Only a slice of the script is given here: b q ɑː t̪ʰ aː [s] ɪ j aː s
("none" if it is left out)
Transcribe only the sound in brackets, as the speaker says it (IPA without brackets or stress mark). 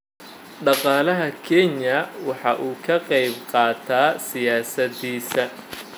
s